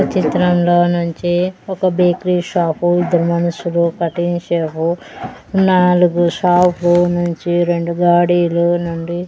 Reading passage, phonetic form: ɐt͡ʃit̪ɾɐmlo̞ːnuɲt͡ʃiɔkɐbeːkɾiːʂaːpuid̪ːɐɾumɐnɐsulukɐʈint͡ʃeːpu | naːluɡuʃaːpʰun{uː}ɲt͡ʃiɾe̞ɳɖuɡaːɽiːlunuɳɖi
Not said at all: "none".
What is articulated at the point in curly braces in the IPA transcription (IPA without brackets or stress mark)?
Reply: u